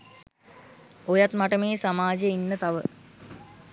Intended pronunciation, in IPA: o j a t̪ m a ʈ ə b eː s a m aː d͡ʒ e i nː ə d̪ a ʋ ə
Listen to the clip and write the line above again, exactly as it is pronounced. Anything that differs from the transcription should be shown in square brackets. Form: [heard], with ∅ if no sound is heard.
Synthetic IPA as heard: o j a t̪ m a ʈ ə [m] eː s a m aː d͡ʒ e i nː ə [t̪] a ʋ ə